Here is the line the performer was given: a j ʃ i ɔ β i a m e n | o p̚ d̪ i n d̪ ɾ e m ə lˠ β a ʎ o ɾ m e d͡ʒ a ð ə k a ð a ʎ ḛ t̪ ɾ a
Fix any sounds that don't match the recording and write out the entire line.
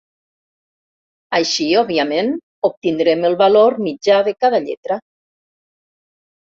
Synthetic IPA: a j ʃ i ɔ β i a m e n | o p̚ t̪ i n d̪ ɾ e m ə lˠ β a l o ɾ m i d͡ʒ a ð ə k a ð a ʎ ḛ t̪ ɾ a